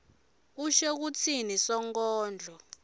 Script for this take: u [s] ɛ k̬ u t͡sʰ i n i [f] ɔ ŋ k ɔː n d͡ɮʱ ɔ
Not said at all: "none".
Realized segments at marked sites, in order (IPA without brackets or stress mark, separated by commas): ʃ, s